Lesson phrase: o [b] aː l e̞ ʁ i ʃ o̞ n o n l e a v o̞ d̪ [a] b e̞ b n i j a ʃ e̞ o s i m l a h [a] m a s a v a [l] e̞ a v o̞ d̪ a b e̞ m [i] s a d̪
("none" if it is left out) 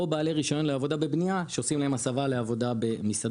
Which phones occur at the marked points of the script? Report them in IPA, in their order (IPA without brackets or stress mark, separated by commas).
b, a, e, l, i